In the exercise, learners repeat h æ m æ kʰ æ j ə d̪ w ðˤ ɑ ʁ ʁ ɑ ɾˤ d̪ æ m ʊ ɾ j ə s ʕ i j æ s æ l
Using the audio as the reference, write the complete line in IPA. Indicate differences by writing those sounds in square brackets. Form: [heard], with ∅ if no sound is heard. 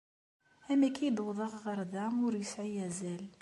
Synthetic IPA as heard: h æ m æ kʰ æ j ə d̪ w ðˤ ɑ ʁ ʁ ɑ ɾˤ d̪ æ m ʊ ɾ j ə s ʕ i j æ [z] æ l

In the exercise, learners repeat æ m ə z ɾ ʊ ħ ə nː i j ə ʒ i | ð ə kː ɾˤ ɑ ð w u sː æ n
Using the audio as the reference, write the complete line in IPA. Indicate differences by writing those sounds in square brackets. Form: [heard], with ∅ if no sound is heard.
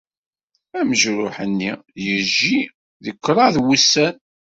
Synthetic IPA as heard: æ m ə [ʒ] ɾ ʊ ħ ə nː i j ə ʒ i | ð ə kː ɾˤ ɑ ð w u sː æ n

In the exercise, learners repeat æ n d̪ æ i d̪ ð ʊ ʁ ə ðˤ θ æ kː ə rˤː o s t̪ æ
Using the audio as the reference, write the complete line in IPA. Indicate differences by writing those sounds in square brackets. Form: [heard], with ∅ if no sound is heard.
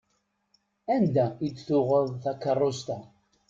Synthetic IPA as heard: æ n d̪ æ i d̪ [θ] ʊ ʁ ə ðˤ θ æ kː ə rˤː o s t̪ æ

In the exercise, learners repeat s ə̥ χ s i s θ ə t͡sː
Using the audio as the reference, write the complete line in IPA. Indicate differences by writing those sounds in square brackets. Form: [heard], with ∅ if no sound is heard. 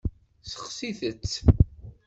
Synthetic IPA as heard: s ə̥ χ s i [∅] θ ə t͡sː

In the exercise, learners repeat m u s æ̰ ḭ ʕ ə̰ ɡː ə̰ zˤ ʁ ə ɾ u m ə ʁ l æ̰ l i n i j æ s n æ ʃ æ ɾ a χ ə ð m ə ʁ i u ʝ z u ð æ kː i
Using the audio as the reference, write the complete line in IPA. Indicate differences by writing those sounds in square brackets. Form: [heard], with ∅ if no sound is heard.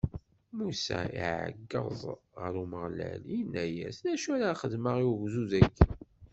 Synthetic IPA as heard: m u s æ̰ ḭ ʕ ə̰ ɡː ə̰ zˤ ʁ ə ɾ u m ə ʁ l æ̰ l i n [æ] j æ s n æ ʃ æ ɾ a χ ə ð m ə ʁ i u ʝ z u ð æ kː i

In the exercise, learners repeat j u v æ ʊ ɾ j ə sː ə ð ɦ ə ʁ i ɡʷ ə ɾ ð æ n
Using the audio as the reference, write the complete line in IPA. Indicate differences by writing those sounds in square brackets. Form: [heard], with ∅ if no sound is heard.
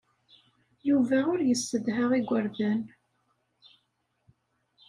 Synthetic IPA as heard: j u v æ ʊ ɾ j ə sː ə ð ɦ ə ʁ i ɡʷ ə ɾ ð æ n

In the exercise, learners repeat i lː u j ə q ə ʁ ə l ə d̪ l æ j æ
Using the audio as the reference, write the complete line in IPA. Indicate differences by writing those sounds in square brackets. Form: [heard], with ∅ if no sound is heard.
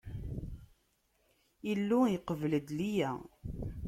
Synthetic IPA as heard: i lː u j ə q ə [v] ə l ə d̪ l [i] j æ

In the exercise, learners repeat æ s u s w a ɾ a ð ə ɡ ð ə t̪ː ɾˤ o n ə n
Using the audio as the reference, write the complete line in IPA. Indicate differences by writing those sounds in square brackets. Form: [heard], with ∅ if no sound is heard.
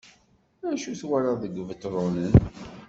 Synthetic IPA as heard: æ [ʃ] u [θ] w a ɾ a ð ə ɡ [v] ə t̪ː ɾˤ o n ə n

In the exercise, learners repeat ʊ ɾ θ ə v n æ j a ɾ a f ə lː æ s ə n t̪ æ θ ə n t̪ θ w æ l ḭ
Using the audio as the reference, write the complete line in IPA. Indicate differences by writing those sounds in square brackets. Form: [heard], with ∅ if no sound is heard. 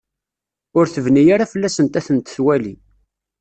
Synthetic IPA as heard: ʊ ɾ θ ə v n [i] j a ɾ a f ə lː æ s ə n t̪ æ θ ə n t̪ θ w æ l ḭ

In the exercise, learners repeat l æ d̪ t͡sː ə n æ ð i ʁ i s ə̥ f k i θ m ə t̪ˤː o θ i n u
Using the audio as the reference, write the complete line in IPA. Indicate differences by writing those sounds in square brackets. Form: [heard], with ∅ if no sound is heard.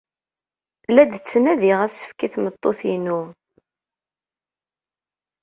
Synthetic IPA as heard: l æ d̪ t͡sː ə n æ ð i ʁ [æ] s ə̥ f k i θ m ə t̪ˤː o θ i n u

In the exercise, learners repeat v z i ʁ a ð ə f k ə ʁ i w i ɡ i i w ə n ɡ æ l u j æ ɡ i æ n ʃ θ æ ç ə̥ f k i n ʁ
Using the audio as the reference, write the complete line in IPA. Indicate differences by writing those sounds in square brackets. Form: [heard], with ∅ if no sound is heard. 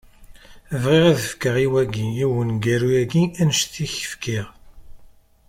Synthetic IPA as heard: v [ʁ] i ʁ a ð ə f k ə ʁ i w [æ] ɡ i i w ə n ɡ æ [ɾ] u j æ ɡ i æ n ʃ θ [i] ç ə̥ f k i [∅] ʁ

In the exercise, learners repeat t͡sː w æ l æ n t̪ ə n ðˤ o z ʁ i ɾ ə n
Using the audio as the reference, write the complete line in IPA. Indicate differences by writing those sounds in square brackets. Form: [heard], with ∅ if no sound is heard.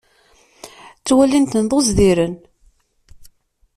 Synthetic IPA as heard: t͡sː w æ l [i] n t̪ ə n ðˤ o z [ð] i ɾ ə n

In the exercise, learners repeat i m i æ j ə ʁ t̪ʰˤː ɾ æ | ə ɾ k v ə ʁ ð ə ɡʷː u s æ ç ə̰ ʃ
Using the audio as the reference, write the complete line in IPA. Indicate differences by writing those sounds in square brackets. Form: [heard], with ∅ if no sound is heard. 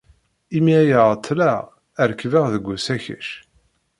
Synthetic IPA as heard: i m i æ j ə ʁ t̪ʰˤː [l] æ | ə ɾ k v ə ʁ ð ə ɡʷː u s æ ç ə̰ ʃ

